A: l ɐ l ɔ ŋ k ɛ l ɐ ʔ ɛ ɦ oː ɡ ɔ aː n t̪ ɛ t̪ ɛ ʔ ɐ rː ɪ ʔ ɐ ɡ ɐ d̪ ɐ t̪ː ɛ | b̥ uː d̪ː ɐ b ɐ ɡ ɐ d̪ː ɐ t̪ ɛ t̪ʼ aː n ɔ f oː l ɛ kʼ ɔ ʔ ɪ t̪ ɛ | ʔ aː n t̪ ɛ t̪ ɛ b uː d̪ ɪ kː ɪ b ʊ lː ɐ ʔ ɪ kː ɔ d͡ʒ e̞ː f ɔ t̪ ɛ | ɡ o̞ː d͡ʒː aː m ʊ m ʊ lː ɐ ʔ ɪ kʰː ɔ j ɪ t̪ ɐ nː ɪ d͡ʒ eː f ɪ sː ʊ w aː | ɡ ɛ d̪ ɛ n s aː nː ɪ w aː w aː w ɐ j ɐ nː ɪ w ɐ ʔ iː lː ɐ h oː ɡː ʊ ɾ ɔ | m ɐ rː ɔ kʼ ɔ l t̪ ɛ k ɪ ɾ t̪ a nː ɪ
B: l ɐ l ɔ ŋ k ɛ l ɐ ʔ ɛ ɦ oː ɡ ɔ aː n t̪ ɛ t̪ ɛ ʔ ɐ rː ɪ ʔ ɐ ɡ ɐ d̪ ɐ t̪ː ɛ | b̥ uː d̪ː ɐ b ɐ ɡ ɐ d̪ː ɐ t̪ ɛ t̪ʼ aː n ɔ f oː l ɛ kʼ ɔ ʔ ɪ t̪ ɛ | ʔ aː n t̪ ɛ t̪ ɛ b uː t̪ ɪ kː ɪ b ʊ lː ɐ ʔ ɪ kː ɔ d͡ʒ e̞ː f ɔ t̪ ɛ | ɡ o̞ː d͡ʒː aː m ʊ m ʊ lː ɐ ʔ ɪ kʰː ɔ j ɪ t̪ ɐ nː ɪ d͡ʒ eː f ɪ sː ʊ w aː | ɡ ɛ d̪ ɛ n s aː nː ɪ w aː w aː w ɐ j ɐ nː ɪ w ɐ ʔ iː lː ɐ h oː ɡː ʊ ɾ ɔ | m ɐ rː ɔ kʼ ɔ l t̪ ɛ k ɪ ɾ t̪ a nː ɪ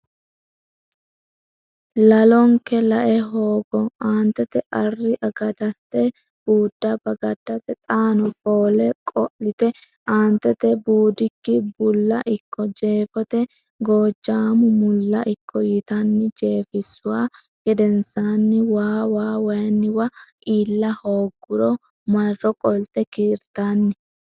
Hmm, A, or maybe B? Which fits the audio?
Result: A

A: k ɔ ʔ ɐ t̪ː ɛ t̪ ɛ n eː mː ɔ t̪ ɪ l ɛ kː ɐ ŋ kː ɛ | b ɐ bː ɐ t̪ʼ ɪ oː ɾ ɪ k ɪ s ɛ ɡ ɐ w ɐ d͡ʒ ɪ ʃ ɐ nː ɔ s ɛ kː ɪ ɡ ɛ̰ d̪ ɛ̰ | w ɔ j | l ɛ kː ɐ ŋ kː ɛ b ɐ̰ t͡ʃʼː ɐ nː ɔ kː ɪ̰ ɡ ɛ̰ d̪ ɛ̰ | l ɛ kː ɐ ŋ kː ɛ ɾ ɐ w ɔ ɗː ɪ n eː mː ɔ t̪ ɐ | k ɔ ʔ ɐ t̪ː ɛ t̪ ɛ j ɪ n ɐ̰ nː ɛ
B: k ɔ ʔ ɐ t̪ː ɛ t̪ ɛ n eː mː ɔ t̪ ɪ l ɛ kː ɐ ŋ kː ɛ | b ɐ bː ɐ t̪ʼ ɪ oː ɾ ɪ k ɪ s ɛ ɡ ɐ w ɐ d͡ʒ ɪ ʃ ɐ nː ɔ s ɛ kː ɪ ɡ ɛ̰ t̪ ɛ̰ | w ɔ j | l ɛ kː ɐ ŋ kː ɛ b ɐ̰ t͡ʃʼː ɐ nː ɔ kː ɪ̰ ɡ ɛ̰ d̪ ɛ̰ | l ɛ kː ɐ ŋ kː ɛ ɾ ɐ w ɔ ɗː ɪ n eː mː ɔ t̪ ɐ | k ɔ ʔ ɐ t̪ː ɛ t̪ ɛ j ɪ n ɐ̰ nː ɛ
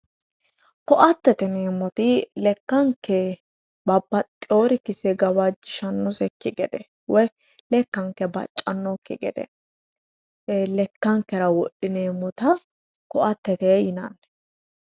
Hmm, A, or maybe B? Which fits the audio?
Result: A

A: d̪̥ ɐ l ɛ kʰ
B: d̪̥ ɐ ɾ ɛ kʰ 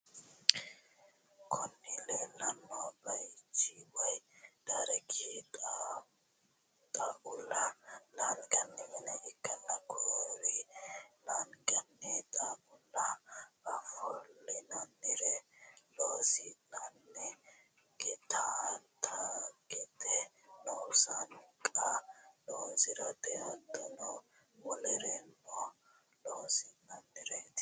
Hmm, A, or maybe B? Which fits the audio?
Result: B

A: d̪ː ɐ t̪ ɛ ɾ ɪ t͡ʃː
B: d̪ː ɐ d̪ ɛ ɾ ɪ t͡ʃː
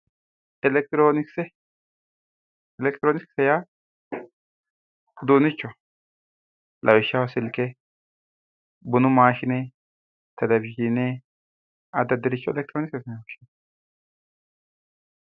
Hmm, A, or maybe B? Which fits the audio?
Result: B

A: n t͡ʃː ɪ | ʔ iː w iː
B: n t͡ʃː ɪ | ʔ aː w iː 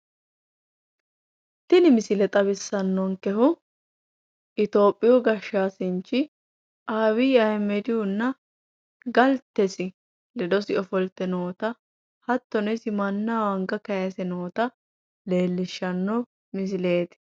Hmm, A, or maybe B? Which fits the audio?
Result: B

